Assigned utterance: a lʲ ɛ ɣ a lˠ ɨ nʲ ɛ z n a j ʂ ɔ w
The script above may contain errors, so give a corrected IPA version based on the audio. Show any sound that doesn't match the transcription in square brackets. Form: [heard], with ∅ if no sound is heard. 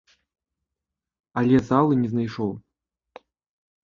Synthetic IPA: a lʲ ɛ [z] a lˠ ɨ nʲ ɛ z n a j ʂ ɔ w